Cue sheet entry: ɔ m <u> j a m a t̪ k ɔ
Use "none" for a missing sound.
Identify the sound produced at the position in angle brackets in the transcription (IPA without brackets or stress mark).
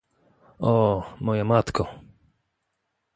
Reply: ɔ